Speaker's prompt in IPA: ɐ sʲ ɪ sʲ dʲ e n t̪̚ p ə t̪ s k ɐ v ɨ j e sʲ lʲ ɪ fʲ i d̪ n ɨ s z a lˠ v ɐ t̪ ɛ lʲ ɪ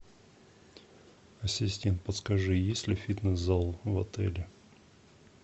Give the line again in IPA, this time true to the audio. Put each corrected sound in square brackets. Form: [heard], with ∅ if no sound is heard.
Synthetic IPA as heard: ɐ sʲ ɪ sʲ [tʲ] e n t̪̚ p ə t̪ s k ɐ [ʐ] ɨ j e sʲ lʲ ɪ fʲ i [t̪] n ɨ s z a lˠ v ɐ t̪ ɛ lʲ ɪ